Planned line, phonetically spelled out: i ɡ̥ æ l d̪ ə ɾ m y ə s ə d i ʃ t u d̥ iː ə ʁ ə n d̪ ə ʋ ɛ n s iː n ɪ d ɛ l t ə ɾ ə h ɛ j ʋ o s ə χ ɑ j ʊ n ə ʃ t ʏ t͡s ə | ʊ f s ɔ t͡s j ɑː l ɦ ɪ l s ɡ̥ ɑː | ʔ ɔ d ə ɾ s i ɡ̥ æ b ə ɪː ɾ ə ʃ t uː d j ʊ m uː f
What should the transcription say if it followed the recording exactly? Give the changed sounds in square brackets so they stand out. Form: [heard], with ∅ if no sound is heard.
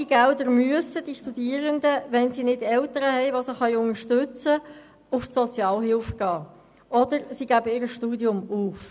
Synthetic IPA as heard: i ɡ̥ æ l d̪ ə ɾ m y ə s ə d i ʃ t u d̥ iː ə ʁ ə n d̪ ə ʋ ɛ n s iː n ɪ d ɛ l t ə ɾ ə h ɛ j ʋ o s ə χ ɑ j ʊ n ə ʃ t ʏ t͡s ə | ʊ f s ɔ t͡s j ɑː l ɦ ɪ l [f] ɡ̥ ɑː | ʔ ɔ d ə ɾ s i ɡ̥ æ b ə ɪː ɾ ə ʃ t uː d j ʊ m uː f